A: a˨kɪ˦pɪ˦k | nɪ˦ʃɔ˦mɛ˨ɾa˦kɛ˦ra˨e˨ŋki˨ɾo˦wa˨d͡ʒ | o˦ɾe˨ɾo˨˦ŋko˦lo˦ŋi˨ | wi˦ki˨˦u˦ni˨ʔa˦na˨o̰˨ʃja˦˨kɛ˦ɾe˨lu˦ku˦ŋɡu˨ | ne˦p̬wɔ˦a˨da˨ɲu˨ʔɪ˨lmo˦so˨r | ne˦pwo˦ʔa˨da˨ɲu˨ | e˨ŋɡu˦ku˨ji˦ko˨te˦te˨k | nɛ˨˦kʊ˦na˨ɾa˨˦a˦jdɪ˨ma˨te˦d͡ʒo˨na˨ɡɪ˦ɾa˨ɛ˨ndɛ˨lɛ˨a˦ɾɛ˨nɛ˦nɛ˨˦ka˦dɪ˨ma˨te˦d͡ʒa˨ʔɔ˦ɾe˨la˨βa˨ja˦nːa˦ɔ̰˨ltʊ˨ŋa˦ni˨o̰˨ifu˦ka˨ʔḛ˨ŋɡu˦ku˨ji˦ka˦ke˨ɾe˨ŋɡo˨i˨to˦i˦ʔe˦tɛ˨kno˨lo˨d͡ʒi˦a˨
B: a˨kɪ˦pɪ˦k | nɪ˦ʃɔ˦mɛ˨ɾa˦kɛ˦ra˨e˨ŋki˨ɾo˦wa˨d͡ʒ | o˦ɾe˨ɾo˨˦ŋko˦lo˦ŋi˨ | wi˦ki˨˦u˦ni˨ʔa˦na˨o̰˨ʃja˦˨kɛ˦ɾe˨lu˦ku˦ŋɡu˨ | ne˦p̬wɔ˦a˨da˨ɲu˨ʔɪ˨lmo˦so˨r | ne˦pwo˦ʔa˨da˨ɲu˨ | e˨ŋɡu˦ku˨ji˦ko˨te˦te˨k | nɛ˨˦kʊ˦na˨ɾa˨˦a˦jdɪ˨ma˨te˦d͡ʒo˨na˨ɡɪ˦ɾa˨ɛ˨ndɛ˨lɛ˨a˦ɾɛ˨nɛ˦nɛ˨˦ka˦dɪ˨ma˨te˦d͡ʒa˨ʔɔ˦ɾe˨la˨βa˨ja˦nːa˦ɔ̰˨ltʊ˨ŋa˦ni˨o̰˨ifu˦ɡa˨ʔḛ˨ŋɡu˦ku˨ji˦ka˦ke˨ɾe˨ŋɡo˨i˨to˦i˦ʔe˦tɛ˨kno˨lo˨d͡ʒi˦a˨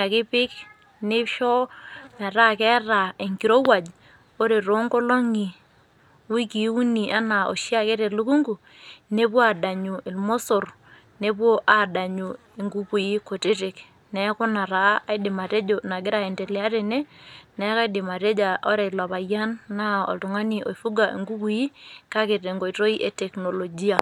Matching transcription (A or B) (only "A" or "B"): B